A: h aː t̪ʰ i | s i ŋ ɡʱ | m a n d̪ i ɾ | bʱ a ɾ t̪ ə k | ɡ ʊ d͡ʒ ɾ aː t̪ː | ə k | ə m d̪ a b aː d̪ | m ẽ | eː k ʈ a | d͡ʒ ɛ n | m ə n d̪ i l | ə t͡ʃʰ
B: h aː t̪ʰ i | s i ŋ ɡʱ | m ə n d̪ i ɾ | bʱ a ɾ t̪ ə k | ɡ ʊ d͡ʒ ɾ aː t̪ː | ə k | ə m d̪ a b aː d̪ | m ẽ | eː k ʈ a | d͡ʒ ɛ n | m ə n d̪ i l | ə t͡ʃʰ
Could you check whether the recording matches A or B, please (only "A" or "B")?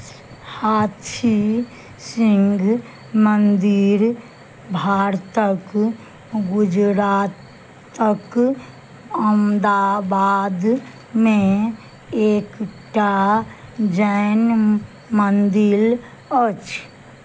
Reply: B